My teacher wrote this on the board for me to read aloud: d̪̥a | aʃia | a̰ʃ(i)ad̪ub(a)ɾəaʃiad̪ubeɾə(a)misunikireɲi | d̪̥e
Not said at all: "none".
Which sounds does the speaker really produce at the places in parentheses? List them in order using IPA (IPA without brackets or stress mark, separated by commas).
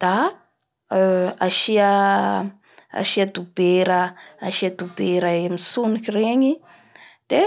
i, e, e